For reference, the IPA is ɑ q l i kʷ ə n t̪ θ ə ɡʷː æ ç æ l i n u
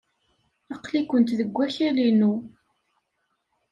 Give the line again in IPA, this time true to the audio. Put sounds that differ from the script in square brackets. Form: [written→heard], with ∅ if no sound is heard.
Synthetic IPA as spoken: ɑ q l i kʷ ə n t̪ [θ→ð] ə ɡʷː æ ç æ l i n u